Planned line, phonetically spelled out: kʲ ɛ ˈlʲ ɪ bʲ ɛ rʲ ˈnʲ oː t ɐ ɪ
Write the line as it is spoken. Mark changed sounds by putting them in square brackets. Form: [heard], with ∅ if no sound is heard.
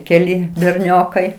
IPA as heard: kʲ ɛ ˈlʲ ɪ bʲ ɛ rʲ ˈnʲ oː [k] ɐ ɪ